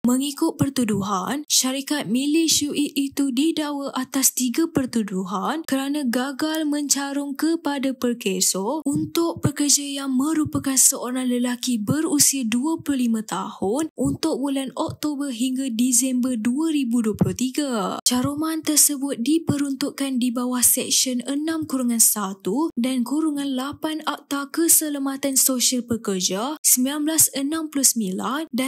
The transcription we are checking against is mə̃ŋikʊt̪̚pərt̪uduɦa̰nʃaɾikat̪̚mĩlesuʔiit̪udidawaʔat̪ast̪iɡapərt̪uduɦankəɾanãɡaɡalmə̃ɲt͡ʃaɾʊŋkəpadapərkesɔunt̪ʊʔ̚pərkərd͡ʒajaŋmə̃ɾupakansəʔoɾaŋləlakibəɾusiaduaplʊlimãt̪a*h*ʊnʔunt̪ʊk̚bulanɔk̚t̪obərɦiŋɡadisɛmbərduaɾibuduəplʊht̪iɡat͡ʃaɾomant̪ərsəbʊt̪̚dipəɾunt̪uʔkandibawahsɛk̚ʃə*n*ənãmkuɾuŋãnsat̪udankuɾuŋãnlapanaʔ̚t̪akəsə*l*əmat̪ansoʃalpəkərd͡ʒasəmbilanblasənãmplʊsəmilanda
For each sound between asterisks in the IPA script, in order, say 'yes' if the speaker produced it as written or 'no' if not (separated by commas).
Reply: yes, yes, yes